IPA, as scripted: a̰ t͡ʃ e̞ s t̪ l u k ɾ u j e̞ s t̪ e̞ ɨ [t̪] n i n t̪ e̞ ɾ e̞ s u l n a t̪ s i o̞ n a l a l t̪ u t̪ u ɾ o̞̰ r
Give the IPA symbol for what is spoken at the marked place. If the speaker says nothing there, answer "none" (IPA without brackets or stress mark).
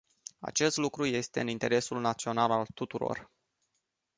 none